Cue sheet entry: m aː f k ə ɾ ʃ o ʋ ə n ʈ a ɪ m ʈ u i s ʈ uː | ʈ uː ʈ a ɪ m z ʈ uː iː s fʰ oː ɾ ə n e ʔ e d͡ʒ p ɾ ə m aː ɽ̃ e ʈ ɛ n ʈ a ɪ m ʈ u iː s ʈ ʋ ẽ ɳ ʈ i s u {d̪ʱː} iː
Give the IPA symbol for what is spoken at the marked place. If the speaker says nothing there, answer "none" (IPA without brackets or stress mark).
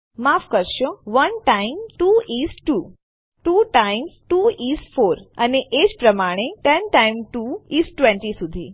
d̪ʱ